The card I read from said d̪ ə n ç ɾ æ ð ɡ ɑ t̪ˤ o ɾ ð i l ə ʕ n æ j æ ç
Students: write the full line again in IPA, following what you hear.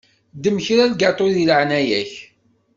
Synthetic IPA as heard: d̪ ə m ç ɾ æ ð ɡ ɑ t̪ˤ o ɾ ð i l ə ʕ n æ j æ ç